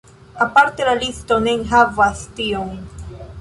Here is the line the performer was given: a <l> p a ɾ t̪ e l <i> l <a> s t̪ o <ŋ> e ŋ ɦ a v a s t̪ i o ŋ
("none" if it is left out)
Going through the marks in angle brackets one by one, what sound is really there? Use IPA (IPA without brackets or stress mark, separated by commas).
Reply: none, a, i, n